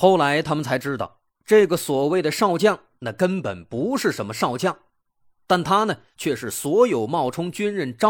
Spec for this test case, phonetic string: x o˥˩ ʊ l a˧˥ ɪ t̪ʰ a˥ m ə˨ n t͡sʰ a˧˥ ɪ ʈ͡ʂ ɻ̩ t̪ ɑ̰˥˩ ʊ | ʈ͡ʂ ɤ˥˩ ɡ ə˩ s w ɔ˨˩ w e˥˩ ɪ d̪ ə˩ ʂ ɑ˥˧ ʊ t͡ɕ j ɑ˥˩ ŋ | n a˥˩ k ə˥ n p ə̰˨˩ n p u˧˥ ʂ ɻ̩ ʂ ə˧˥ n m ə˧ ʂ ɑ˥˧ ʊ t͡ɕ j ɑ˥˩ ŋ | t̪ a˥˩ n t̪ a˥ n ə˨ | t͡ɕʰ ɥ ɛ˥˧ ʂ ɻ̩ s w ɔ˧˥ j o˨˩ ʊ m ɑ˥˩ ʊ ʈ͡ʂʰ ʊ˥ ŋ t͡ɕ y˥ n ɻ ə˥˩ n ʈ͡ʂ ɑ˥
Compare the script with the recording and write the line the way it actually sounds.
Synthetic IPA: x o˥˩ ʊ l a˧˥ ɪ t̪ʰ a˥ m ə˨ n t͡sʰ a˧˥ ɪ ʈ͡ʂ ɻ̩ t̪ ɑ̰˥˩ ʊ | ʈ͡ʂ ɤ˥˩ ɡ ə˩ s w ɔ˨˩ w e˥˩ ɪ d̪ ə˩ ʂ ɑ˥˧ ʊ t͡ɕ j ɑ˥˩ ŋ | n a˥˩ k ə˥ n p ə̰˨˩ n p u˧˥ ʂ ɻ̩ ʂ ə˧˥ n m ə˧ ʂ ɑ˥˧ ʊ t͡ɕ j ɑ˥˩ ŋ | t̪ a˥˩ n t̪ʰ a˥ n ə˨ | t͡ɕʰ ɥ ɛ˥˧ ʂ ɻ̩ s w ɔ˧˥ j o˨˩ ʊ m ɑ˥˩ ʊ ʈ͡ʂʰ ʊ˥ ŋ t͡ɕ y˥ n ɻ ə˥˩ n ʈ͡ʂ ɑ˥